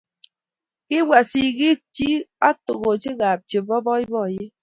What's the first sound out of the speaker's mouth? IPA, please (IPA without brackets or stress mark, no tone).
k